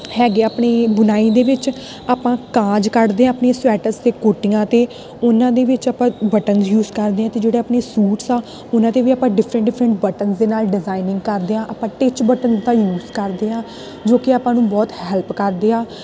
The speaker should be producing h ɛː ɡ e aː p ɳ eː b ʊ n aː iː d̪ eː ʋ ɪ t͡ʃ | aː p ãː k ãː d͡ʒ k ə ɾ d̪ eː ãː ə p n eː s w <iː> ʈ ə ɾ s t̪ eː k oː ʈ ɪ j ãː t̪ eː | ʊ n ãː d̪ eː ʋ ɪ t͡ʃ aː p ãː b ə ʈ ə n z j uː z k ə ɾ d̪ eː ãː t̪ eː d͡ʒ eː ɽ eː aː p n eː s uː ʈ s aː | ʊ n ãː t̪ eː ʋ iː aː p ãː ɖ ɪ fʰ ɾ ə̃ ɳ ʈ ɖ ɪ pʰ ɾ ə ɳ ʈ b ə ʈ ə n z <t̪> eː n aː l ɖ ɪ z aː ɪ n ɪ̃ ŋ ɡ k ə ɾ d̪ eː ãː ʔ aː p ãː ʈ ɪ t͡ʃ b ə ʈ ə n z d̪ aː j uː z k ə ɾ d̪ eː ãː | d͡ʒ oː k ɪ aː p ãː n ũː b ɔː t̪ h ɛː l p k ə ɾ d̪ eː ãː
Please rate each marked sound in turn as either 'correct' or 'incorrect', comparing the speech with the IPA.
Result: incorrect, incorrect

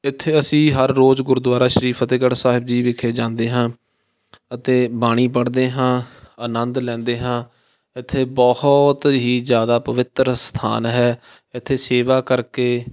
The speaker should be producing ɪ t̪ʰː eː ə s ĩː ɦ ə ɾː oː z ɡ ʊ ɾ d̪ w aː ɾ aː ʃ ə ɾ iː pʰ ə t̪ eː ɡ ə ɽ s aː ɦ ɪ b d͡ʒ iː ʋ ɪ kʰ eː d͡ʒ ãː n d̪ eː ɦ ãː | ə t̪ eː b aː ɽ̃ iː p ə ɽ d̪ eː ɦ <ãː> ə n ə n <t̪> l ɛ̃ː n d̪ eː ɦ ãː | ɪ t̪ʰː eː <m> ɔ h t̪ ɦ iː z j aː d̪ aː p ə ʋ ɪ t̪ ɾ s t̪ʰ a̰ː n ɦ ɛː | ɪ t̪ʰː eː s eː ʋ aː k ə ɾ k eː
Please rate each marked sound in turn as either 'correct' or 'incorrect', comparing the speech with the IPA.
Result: correct, incorrect, incorrect

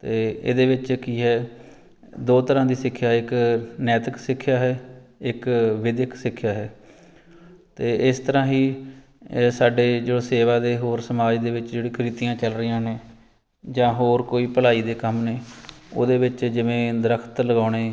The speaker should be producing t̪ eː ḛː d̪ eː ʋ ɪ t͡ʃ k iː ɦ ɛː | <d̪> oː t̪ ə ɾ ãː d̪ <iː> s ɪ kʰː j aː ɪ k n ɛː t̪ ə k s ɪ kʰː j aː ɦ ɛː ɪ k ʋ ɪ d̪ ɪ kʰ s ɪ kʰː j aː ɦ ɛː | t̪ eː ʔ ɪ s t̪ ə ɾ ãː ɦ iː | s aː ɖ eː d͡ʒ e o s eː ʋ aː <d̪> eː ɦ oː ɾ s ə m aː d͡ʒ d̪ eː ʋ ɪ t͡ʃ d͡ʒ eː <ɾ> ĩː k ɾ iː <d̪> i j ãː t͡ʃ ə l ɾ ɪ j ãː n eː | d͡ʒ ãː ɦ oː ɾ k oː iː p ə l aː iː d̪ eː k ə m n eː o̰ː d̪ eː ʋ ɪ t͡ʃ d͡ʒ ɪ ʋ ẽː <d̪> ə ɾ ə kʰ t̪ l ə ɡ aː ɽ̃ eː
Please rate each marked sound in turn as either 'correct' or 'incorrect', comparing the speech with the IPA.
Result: correct, correct, correct, incorrect, incorrect, correct

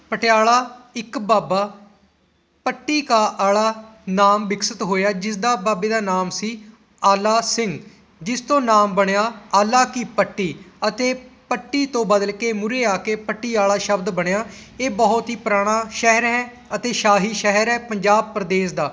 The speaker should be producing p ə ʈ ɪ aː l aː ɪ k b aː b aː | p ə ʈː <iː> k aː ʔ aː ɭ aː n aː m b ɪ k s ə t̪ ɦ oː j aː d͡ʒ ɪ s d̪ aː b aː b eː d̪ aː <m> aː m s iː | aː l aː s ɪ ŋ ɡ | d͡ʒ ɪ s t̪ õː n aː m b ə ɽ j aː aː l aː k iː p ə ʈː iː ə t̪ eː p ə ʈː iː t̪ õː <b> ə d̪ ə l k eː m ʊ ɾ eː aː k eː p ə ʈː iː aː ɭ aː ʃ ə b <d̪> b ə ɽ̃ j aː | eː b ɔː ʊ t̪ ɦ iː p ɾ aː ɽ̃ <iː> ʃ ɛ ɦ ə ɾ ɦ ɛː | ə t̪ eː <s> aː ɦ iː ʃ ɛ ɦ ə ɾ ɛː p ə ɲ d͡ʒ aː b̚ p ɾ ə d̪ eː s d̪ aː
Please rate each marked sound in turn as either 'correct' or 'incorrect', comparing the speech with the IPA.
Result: correct, incorrect, correct, correct, incorrect, incorrect

